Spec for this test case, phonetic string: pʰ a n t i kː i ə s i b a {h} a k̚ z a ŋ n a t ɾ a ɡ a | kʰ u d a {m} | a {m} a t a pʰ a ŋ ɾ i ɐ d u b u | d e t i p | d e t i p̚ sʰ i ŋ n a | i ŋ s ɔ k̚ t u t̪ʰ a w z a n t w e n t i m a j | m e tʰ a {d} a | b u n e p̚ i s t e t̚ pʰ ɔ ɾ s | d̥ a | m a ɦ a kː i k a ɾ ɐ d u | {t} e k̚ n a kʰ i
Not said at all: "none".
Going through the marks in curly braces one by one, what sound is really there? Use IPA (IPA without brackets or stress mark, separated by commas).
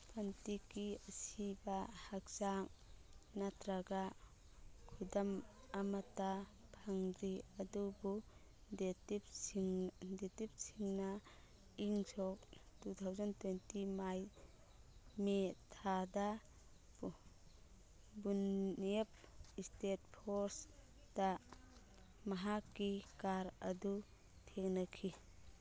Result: h, m, m, d, tʰ